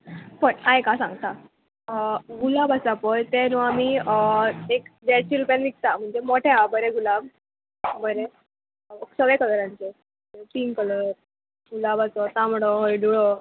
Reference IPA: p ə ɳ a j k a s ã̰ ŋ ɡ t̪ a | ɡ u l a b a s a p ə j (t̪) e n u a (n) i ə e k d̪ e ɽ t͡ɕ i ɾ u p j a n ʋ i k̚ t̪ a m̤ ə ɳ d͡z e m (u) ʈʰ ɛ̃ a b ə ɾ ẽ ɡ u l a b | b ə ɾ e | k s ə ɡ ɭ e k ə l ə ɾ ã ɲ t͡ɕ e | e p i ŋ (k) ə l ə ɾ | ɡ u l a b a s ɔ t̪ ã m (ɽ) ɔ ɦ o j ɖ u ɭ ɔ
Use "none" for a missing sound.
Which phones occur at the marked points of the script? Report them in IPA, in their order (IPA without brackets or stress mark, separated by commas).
t̪, m, o, k, ɽ